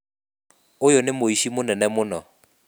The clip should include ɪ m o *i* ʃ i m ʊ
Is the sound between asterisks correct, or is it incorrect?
correct